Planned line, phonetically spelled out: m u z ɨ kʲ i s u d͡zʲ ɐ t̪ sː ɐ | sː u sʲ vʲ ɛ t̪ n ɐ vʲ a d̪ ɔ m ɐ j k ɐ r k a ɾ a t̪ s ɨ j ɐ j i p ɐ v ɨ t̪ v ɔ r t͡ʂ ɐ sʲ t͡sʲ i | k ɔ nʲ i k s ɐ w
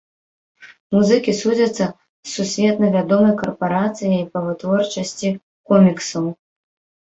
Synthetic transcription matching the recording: m u z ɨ kʲ i s u d͡zʲ ɐ t̪ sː ɐ | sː u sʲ vʲ ɛ t̪ n ɐ vʲ a d̪ ɔ m ɐ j k ɐ r p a ɾ a t̪ s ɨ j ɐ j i p ɐ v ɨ t̪ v ɔ r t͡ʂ ɐ sʲ t͡sʲ i | k ɔ mʲ i k s ɐ w